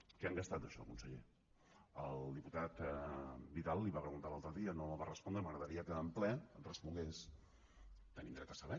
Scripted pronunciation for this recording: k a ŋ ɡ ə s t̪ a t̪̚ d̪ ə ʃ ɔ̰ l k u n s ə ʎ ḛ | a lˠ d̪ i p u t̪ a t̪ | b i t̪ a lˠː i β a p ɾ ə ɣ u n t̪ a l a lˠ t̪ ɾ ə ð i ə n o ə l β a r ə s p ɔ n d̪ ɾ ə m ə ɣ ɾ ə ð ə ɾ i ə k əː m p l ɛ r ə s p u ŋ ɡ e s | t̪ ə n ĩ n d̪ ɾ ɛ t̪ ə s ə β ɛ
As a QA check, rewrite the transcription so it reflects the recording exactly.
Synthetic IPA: k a ŋ ɡ ə s t̪ a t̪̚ d̪ ə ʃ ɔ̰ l k u n s ə ʎ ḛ | ə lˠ d̪ i p u t̪ a t̪ | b i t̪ a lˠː i β a p ɾ ə ɣ u n t̪ a l a lˠ t̪ ɾ ə ð i ə n o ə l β a r ə s p ɔ n d̪ ɾ ə m ə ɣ ɾ ə ð ə ɾ i ə k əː m p l ɛ r ə s p u ŋ ɡ e s | t̪ ə n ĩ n d̪ ɾ ɛ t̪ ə s ə β ɛ